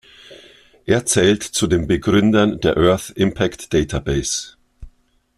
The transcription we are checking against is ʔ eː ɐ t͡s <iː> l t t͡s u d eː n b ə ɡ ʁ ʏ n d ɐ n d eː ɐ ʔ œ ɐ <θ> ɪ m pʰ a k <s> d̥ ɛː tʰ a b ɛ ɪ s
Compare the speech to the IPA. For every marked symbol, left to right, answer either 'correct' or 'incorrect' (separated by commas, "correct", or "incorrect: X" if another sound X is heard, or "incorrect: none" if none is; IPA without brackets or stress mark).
incorrect: ɛː, correct, incorrect: t